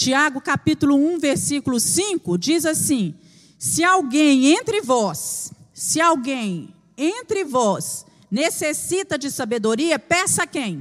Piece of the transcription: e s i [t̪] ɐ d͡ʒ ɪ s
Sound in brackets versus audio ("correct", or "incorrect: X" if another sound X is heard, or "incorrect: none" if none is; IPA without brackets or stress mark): correct